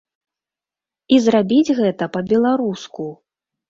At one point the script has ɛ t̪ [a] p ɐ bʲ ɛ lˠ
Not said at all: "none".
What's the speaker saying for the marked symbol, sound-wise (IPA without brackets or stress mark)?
ɐ